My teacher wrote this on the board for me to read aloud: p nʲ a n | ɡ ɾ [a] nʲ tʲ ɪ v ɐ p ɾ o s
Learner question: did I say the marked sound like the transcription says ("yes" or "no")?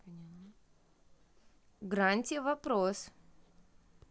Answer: yes